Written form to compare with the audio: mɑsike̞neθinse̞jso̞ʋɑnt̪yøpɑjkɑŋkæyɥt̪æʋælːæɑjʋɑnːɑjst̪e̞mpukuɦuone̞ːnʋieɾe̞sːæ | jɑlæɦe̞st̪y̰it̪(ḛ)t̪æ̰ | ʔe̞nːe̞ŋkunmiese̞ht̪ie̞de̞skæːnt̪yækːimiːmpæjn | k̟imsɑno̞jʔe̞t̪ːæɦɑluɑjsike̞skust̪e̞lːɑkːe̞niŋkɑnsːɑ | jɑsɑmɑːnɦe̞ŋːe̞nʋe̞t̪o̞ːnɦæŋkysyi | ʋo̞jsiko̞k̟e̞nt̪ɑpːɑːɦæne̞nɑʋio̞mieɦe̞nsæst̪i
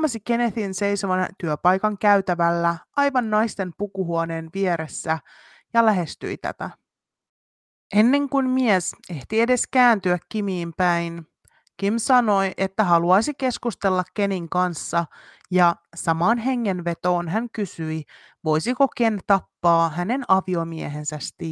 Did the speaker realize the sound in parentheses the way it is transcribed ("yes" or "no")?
no